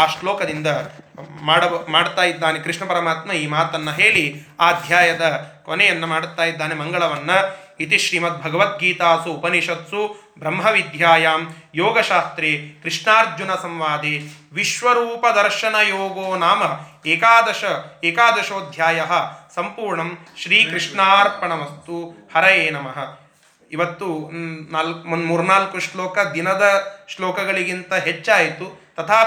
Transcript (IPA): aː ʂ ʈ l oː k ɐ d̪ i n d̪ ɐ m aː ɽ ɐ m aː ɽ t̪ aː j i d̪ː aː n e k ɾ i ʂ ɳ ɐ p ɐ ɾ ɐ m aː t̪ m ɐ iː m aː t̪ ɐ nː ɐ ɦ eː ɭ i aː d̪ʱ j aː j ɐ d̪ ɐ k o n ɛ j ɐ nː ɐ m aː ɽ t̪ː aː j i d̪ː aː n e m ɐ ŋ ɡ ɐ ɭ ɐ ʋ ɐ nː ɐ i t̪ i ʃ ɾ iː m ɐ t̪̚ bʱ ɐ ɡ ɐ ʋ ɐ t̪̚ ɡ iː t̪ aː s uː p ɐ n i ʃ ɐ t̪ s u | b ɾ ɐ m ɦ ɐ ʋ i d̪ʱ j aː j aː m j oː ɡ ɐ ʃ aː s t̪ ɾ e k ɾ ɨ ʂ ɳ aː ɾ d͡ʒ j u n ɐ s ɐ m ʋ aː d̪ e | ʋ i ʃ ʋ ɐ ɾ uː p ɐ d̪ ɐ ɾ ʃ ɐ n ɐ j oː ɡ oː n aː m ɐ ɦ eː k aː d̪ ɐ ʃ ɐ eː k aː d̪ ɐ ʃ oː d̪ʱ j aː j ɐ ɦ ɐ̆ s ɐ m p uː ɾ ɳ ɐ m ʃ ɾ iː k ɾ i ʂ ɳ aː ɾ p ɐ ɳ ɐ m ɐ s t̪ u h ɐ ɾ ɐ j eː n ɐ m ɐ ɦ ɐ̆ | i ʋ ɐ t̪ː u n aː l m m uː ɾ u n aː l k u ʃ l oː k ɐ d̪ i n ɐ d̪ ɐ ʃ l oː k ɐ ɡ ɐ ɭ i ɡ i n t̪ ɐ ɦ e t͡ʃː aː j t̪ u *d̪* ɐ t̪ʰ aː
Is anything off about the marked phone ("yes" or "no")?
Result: yes